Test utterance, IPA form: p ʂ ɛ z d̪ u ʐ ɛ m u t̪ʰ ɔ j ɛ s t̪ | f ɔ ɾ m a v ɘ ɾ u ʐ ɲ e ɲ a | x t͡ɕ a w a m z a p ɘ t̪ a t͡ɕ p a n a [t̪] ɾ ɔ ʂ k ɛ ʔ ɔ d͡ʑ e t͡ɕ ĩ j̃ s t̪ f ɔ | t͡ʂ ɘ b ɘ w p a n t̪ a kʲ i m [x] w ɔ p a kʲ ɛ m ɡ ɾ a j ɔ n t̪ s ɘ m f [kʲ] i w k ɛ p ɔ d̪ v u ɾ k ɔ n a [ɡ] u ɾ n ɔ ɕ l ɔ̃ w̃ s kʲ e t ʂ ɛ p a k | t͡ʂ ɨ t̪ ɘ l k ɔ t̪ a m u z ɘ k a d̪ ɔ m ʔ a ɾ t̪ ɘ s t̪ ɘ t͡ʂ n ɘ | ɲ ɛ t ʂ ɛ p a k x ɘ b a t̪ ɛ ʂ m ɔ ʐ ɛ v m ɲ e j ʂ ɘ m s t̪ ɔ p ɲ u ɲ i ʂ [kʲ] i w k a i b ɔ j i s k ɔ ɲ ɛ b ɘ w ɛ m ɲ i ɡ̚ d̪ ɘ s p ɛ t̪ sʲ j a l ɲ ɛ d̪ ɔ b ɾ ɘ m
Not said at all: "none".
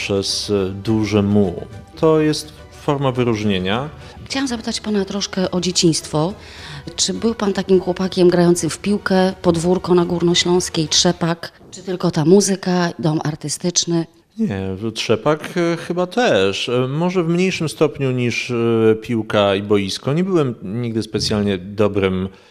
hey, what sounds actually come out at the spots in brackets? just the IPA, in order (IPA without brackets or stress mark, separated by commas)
t̪, x, pʲ, ɡ, pʲ